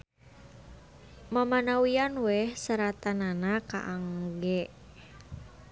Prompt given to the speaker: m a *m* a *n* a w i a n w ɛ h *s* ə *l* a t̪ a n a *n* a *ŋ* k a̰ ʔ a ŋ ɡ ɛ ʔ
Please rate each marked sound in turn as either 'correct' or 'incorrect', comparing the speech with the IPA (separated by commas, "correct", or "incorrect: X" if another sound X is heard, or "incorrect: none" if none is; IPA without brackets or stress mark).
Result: correct, correct, correct, incorrect: ɾ, correct, incorrect: none